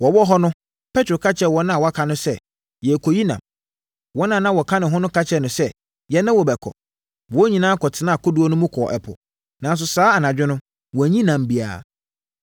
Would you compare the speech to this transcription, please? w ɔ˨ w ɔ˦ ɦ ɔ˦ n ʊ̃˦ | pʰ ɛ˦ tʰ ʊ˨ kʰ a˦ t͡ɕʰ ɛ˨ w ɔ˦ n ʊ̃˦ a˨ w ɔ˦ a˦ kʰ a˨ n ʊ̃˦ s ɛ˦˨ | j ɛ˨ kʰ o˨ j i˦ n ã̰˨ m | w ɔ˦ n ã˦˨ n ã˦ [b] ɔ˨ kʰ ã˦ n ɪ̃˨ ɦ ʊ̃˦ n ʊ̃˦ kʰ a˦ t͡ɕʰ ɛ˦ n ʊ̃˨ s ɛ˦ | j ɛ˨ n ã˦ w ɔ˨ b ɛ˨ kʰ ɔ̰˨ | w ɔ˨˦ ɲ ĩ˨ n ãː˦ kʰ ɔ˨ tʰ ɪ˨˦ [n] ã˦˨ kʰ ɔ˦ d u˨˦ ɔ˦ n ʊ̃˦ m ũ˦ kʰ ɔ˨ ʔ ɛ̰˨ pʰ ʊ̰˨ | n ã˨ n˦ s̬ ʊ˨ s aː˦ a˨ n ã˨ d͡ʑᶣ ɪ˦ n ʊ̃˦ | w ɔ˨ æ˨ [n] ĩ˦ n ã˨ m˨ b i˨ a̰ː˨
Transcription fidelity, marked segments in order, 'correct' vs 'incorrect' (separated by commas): incorrect, correct, incorrect